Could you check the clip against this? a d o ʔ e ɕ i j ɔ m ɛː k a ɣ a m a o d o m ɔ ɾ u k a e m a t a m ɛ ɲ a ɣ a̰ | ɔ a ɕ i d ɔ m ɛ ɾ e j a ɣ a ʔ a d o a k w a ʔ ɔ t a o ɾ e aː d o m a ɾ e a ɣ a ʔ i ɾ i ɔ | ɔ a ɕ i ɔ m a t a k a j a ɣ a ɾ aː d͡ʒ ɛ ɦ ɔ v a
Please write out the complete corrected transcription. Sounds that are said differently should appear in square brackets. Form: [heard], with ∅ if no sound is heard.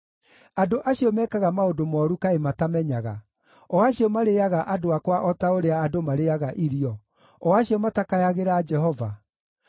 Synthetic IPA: a d o ʔ [a] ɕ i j ɔ m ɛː k a ɣ a m a o d o m ɔ ɾ u k a e m a t a m ɛ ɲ a ɣ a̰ | ɔ a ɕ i [∅] ɔ m [a] ɾ e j a ɣ a ʔ a d o a k w a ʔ ɔ t a o ɾ e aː d o m a ɾ e a ɣ a ʔ i ɾ i ɔ | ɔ a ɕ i ɔ m a t a k a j a ɣ [e] ɾ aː d͡ʒ ɛ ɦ ɔ v a